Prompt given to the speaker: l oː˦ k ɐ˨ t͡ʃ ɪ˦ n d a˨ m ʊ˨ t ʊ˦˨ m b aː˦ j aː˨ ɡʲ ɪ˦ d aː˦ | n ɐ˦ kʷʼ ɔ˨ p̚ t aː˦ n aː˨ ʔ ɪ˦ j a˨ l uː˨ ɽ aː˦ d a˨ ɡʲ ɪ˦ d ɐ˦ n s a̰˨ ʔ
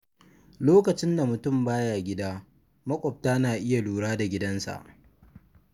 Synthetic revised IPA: l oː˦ k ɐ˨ t͡ʃ ɪ˦ n d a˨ m ʊ˨ t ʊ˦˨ m b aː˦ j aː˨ ɡʲ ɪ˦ d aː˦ | m ɐ˦ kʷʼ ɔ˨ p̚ t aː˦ n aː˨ ʔ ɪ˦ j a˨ l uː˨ ɽ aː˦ d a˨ ɡʲ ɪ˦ d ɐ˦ n s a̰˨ ʔ